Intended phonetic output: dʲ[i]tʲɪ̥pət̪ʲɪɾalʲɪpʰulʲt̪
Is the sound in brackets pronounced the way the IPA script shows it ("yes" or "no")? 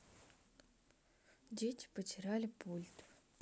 no